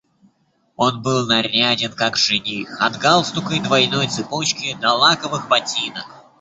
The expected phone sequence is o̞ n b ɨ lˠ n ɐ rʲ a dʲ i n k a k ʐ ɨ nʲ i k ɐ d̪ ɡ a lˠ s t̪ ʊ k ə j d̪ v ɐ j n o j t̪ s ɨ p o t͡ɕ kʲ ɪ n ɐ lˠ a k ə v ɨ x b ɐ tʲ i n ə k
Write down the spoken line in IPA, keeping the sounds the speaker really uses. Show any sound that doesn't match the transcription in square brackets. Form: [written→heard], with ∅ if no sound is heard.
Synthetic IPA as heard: o̞ n b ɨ lˠ n ɐ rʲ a dʲ [i→ɪ] n k a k ʐ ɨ nʲ i [k→x] ɐ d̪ ɡ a lˠ s t̪ ʊ k ə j d̪ v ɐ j n o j t̪ s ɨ p o t͡ɕ kʲ ɪ n ɐ lˠ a k ə v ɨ x b ɐ tʲ i n ə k